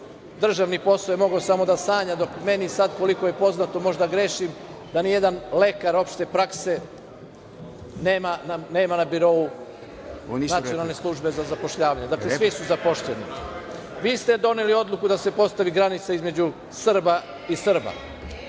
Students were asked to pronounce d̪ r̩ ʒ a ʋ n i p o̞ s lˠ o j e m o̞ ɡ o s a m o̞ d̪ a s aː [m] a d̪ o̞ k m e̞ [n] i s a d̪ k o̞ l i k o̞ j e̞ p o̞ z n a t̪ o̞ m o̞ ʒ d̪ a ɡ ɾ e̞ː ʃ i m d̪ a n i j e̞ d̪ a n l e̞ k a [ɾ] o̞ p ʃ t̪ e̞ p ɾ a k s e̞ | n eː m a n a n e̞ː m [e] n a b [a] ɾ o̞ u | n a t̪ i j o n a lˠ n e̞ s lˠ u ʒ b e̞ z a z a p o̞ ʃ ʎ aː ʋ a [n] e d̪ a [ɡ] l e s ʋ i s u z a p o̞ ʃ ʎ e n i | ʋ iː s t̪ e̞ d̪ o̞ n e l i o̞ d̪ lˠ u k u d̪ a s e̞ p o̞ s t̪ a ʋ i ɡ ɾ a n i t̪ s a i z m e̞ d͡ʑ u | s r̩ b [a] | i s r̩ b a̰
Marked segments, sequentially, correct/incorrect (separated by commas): incorrect, correct, correct, incorrect, incorrect, incorrect, incorrect, correct